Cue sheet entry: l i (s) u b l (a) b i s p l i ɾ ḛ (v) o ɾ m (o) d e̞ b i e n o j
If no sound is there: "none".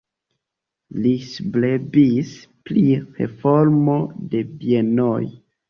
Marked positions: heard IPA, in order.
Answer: s, e, f, o

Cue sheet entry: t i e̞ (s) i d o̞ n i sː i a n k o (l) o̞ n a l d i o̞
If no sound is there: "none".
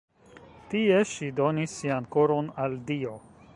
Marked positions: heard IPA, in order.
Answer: ʃ, ɾ

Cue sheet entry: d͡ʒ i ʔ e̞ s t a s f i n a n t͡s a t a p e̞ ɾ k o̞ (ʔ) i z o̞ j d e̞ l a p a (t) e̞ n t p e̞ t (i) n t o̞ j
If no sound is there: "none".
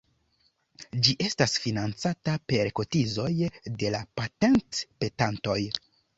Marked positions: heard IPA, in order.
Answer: t, t, a

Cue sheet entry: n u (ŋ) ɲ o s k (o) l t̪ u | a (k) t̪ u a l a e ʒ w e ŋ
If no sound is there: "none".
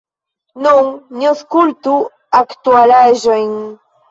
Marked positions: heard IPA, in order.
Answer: ŋ, u, k

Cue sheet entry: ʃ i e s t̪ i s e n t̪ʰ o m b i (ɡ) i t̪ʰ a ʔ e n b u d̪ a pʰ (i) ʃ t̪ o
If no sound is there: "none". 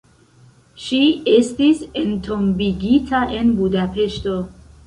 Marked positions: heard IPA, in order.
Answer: ɡ, e

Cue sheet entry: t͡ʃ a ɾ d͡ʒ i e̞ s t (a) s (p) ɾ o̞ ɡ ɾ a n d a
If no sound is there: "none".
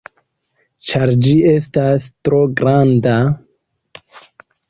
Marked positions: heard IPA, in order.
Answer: a, t

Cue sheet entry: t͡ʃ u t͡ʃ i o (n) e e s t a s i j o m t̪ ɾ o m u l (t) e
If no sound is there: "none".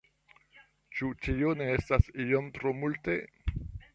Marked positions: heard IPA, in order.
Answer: n, t

